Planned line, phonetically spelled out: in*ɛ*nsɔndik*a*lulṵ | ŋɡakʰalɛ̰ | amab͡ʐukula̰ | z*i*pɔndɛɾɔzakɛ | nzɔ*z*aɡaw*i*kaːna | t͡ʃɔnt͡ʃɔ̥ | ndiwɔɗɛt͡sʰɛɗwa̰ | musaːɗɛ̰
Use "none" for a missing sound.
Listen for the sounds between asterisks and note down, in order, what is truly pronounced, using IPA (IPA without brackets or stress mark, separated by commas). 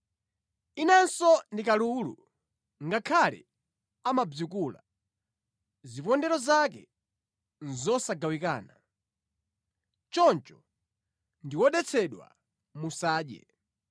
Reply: a, a, i, s, i